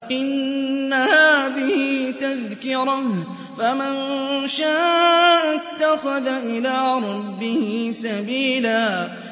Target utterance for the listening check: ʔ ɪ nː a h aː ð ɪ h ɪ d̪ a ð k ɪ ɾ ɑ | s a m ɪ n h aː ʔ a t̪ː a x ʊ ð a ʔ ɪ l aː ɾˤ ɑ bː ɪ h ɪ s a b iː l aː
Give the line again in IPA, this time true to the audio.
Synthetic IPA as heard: ʔ ɪ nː a h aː ð ɪ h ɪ t̪ a ð k ɪ ɾ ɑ | f a m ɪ n ʃ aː ʔ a t̪ː a x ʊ ð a ʔ ɪ l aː ɾˤ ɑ bː ɪ h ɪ s a b iː l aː